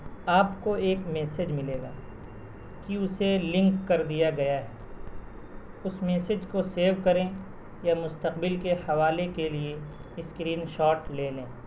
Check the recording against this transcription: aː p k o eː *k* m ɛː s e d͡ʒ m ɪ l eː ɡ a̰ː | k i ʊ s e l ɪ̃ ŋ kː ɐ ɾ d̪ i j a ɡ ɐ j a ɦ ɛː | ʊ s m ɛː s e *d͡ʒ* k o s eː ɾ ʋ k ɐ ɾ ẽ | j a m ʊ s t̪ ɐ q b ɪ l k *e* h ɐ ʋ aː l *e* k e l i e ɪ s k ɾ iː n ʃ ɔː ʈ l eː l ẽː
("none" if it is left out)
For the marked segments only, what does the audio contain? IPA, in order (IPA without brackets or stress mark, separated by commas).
k, d͡ʒ, e, e